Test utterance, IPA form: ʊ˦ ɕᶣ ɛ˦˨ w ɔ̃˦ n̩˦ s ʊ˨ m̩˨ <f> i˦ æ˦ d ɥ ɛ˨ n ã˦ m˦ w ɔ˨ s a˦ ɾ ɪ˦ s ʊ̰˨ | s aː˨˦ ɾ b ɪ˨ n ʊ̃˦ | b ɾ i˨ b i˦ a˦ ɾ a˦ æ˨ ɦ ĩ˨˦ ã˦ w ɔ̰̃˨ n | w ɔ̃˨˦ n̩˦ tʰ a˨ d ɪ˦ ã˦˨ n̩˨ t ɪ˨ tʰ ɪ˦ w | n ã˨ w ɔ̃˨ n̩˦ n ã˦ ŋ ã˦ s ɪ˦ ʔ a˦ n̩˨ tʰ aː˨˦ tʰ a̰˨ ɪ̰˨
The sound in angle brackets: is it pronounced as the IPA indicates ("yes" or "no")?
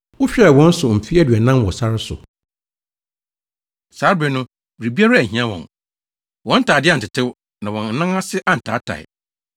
yes